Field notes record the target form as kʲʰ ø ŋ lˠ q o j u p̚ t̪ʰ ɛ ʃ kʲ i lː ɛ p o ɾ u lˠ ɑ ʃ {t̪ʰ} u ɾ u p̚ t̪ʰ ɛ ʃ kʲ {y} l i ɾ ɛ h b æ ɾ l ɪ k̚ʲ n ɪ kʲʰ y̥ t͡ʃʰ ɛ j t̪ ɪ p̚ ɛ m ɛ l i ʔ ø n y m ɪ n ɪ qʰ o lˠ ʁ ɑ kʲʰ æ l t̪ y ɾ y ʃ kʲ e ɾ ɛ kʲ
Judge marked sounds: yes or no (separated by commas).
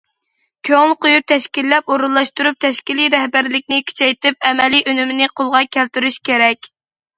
no, no